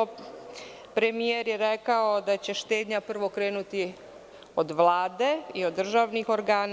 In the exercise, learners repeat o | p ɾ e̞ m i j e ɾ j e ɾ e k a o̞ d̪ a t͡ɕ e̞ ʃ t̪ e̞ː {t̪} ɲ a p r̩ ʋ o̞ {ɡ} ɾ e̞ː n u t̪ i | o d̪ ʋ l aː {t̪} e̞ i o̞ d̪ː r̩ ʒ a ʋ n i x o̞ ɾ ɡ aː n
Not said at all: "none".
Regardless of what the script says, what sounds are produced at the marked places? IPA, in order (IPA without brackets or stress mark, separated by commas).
d̪, k, d̪